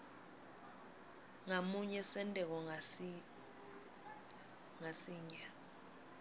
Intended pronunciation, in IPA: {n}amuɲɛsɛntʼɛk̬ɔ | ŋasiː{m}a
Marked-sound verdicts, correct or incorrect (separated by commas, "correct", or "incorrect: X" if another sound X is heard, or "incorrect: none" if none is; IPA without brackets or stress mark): incorrect: ŋ, incorrect: ɲ